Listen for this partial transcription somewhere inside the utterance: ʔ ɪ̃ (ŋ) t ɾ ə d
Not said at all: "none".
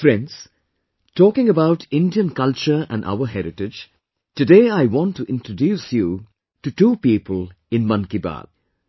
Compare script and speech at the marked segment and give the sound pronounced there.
n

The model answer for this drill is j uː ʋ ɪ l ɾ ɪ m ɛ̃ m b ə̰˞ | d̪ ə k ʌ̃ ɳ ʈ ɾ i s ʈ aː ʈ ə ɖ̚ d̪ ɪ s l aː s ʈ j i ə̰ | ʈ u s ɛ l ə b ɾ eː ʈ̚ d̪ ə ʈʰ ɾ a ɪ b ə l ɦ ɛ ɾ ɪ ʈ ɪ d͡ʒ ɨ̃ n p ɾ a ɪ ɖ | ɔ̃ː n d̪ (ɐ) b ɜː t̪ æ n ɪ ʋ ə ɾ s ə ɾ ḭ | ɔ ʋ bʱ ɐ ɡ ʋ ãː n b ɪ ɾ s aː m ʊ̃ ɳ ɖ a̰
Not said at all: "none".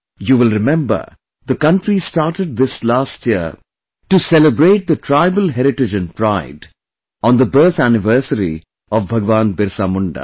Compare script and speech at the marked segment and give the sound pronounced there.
ə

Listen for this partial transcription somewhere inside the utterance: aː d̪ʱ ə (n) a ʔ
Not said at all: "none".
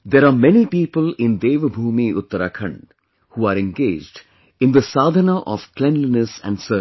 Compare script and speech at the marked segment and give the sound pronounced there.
n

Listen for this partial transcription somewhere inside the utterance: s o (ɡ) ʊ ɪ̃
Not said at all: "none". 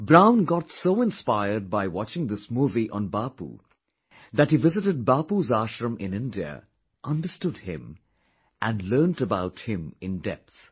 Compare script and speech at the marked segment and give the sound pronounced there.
none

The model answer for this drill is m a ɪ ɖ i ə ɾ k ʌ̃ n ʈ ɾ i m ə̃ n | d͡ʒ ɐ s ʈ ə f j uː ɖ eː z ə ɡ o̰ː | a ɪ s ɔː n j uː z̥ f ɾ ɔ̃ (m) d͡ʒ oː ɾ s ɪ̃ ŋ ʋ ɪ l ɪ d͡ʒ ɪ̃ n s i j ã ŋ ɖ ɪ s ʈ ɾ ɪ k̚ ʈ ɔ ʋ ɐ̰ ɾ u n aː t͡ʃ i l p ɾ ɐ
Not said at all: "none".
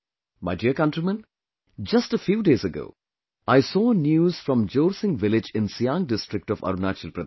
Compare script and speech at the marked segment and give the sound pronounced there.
m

